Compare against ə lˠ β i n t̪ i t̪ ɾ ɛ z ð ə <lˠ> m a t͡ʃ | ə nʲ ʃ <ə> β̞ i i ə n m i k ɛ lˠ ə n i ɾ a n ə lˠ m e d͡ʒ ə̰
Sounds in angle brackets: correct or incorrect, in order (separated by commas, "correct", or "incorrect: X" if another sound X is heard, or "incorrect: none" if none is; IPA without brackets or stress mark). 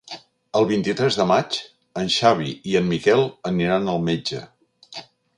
incorrect: none, incorrect: a